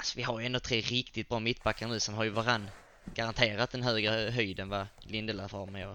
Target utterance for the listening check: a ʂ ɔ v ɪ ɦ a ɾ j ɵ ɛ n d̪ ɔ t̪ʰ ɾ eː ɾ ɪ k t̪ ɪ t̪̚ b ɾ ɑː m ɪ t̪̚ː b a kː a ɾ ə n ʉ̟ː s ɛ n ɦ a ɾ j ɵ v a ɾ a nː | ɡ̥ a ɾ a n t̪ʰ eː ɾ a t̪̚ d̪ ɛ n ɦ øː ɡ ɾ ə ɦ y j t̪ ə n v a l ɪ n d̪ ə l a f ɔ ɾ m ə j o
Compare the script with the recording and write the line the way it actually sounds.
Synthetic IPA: a s ɔ v ɪ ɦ a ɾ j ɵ ɛ n d̪ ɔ t̪ʰ ɾ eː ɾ ɪ k t̪ ɪ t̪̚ b ɾ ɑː m ɪ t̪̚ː b a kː a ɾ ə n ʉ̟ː s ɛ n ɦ a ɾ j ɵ v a ɾ a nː | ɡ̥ a ɾ a n t̪ʰ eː ɾ a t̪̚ d̪ ɛ n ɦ øː ɡ ɾ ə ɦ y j d̪ ə n v a l ɪ n d̪ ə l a f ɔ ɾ m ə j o